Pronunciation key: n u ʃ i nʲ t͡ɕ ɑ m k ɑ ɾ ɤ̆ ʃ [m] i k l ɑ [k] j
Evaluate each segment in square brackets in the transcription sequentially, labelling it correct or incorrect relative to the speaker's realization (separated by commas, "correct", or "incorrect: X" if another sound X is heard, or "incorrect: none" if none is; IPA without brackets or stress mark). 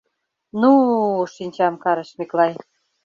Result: correct, incorrect: none